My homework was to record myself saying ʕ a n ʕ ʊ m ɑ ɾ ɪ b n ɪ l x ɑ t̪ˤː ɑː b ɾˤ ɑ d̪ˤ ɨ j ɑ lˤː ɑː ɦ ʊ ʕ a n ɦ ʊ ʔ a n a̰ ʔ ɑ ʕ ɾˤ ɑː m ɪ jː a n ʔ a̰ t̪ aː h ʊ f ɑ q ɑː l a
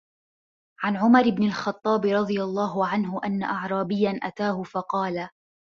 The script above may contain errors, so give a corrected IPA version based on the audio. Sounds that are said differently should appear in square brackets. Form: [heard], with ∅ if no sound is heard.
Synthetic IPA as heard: ʕ a n ʕ ʊ m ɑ ɾ ɪ b n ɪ l x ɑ t̪ˤː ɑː b ɾˤ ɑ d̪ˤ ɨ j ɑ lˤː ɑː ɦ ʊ ʕ a n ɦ ʊ ʔ a [nː] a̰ ʔ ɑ ʕ ɾˤ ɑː [b] ɪ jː a n ʔ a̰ t̪ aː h ʊ f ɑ q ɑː l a